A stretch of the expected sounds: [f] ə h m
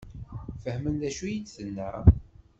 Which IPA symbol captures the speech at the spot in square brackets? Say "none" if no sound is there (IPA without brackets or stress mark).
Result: f